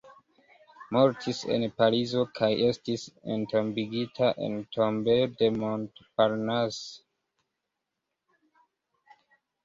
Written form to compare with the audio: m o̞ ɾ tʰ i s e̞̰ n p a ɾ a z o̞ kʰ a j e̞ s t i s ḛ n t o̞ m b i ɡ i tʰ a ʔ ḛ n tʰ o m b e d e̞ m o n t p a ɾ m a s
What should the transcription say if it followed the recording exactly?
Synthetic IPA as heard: m o̞ ɾ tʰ i s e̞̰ n p a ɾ i z o̞ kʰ a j e̞ s t i s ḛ n t o̞ m b i ɡ i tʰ a ʔ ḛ n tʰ o m b e d e̞ m o n t p a ɾ n a s